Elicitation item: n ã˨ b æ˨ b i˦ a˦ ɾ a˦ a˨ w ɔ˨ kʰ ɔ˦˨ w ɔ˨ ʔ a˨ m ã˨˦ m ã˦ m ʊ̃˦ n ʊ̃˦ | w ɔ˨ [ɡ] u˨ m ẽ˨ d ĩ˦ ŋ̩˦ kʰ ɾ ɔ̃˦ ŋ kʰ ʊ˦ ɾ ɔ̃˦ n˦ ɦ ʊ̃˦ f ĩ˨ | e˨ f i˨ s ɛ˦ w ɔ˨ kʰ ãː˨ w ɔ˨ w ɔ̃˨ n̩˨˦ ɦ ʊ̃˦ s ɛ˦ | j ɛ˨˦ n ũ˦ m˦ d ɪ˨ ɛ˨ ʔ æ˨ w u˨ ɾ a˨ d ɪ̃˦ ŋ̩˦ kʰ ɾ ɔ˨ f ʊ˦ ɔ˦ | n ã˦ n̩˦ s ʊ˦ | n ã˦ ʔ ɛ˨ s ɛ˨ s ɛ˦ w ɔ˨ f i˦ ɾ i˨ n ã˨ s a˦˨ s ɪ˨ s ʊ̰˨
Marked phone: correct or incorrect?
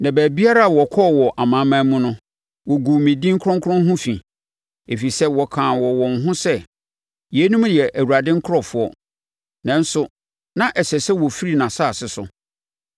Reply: correct